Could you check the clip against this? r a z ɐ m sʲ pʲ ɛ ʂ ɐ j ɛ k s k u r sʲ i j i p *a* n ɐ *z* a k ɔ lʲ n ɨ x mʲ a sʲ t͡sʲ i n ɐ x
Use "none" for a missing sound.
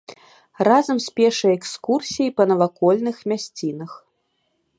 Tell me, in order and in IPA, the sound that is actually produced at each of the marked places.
ɐ, v

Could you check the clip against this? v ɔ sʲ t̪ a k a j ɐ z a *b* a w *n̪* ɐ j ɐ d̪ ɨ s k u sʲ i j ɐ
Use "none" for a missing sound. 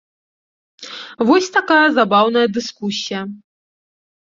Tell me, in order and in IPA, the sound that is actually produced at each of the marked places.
b, n̪

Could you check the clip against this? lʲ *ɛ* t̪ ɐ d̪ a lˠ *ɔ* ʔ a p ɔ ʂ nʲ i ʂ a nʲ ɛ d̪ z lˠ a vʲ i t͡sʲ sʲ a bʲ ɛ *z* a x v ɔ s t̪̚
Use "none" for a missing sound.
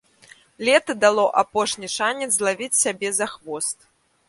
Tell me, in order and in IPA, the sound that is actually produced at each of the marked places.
ɛ, ɔ, z

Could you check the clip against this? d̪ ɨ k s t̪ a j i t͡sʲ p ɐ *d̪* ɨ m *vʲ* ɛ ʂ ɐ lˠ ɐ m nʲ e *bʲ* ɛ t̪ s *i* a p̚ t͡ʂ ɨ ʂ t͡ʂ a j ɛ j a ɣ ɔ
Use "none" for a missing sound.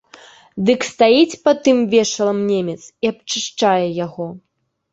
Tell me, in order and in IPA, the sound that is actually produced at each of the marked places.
t̪, vʲ, mʲ, i

